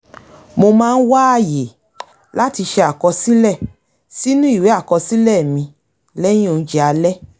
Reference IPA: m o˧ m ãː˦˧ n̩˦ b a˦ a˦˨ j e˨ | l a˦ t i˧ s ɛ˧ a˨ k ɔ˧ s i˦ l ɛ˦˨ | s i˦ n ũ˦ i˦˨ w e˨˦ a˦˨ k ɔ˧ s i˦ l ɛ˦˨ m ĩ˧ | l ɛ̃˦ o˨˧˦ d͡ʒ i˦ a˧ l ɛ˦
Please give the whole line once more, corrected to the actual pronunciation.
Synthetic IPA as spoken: m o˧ m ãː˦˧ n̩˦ w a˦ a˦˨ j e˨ | l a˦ t i˧ ʃ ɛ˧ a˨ k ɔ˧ s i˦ l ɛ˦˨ | s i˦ n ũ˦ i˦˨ w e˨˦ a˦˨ k ɔ˧ s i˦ l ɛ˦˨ m ĩ˧ | l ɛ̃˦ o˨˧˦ d͡ʒ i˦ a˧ l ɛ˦